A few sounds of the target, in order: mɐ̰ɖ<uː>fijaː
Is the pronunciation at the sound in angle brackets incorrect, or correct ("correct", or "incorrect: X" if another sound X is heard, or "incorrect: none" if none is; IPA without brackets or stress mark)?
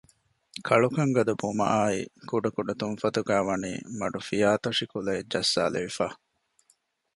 incorrect: u